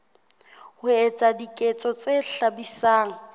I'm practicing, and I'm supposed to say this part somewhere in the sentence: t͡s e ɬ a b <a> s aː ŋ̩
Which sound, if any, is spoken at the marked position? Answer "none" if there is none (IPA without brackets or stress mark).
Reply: i